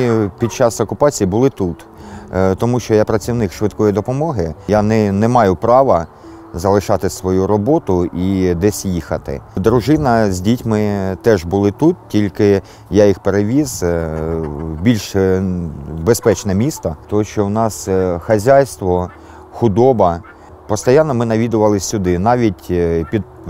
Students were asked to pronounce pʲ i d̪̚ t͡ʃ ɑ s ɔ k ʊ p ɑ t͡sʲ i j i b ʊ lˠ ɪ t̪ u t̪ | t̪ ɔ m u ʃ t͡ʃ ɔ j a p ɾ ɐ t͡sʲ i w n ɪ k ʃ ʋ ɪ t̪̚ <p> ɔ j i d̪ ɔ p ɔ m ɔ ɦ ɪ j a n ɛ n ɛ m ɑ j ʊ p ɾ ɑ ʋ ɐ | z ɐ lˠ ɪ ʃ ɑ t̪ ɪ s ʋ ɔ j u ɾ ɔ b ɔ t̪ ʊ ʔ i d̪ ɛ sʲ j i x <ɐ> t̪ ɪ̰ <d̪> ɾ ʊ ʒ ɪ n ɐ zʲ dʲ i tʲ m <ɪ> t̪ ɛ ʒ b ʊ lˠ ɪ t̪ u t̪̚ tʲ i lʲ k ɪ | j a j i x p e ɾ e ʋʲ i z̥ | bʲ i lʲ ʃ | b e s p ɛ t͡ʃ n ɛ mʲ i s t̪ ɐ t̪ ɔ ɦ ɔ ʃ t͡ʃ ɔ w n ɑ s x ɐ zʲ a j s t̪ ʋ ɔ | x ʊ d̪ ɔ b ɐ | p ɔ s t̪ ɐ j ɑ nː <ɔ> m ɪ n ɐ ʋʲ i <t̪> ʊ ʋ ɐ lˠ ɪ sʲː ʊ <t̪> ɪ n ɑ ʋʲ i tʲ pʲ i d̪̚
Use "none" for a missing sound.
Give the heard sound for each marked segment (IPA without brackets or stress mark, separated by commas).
k, ɐ, d̪, ɪ, ɔ, d̪, d̪